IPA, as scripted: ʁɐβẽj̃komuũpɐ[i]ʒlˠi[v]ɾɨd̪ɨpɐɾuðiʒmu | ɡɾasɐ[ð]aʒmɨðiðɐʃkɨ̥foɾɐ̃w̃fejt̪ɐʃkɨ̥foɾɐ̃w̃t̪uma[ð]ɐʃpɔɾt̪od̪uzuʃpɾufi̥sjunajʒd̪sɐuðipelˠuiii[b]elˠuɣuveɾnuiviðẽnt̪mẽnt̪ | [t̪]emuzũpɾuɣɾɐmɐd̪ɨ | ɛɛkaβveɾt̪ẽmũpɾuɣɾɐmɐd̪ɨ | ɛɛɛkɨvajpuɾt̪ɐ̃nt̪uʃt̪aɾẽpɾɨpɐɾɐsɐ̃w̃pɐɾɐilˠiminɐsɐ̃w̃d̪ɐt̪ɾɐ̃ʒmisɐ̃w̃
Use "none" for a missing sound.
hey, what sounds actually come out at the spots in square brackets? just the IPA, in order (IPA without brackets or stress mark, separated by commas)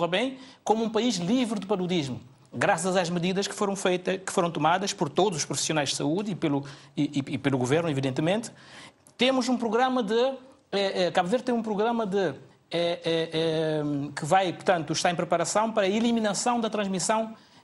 i, v, z, ð, p, t̪